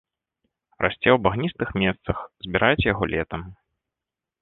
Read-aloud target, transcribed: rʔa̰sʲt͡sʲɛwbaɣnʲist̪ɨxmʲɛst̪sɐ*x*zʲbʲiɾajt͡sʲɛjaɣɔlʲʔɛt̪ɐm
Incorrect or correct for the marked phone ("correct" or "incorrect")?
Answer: correct